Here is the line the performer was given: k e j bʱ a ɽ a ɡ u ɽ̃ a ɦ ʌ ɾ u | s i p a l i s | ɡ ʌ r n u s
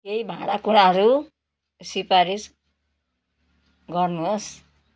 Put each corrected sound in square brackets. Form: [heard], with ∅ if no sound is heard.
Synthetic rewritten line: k e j bʱ a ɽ a [k] u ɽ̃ a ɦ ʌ ɾ u | s i p a [ɾ] i s | ɡ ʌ r n u s